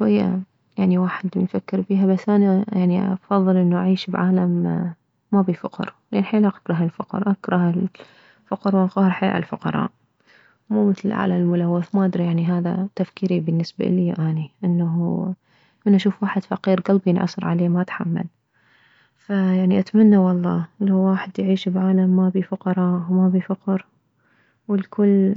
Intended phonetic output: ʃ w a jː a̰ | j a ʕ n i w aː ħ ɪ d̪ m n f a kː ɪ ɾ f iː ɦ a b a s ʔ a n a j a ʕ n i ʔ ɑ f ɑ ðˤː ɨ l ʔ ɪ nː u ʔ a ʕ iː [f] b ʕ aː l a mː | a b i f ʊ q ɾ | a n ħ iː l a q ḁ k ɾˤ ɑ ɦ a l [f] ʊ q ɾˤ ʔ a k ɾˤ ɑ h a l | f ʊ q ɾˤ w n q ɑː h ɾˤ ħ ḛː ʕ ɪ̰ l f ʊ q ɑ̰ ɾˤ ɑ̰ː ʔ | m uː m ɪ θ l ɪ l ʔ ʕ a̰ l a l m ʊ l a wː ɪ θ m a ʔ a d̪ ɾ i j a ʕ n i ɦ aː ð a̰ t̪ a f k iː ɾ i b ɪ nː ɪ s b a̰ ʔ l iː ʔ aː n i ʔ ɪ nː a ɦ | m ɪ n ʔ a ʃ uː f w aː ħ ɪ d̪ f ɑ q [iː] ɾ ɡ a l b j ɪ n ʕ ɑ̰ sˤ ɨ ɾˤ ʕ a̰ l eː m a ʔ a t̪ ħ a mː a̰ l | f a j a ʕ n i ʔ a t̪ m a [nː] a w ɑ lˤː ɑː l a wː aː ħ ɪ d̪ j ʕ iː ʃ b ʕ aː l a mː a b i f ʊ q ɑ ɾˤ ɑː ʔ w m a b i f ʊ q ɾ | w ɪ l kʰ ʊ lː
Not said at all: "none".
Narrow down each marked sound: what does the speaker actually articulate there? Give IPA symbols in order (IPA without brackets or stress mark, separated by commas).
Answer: ʃ, f, iː, nː